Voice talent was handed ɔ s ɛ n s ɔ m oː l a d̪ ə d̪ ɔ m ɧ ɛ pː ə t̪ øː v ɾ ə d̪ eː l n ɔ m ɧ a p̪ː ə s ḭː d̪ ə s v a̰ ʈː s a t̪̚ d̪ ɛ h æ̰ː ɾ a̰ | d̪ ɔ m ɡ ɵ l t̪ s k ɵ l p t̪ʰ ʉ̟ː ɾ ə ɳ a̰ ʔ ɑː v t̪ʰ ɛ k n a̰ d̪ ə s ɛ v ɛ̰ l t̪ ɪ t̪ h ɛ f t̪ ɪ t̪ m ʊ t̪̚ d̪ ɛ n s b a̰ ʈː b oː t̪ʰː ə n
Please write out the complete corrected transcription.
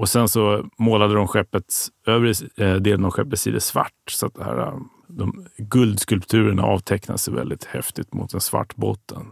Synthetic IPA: ɔ s ɛ n s ɔ m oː l a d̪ ə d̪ ɔ m ɧ ɛ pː ə t̪ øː v ɾ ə d̪ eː l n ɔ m ɧ ɛ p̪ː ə s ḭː d̪ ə s v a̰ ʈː s a t̪̚ d̪ ɛ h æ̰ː ɾ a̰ | d̪ ɔ m ɡ ɵ l d̪ s k ɵ l p t̪ʰ ʉ̟ː ɾ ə ɳ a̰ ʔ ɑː v t̪ʰ ɛ k n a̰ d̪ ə s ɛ v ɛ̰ l d̪ ɪ t̪ h ɛ f t̪ ɪ t̪ m ʊ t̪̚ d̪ ɛ n s v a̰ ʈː b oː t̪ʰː ə n